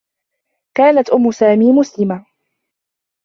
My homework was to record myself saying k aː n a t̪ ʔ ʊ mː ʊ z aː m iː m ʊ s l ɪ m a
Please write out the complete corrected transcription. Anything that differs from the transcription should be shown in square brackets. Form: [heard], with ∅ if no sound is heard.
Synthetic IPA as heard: k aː n a t̪ ʔ ʊ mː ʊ [s] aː m iː m ʊ s l ɪ m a